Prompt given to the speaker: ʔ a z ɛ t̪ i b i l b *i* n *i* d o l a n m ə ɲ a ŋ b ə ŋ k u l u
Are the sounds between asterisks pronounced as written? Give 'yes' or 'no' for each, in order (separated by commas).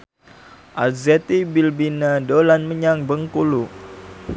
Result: yes, no